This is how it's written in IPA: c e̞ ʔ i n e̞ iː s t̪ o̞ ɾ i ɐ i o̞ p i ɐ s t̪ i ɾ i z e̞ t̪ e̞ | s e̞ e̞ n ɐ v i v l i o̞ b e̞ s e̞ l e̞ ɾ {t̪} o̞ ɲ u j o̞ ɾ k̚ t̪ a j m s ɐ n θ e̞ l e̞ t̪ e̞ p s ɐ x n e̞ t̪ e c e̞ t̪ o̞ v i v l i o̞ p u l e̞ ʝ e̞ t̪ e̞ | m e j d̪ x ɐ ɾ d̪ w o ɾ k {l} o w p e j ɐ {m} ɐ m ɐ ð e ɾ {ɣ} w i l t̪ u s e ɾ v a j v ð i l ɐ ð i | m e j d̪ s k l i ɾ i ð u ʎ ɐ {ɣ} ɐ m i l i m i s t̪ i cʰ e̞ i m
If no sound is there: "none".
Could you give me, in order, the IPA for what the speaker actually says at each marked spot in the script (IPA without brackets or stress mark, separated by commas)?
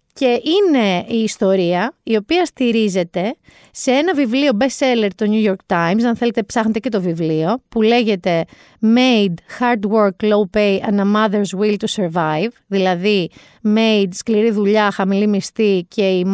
t̪, l, n, z, x